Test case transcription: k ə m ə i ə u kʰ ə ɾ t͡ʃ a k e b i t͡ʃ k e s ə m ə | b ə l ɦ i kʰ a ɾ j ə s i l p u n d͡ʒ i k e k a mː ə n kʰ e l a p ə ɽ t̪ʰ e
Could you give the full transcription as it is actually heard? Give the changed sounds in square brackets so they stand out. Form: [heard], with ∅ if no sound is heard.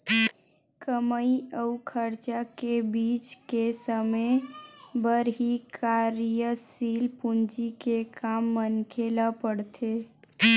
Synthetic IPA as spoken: k ə m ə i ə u kʰ ə ɾ t͡ʃ a k e b i t͡ʃ k e s ə m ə | b ə [ɾ] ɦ i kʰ a ɾ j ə s i l p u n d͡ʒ i k e k a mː ə n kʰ e l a p ə ɽ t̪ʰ e